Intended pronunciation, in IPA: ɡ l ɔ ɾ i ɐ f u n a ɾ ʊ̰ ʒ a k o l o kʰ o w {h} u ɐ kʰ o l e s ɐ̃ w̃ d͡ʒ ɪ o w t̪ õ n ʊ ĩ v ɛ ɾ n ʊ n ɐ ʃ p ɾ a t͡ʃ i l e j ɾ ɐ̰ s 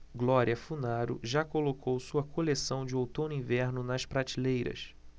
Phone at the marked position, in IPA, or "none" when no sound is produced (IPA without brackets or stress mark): s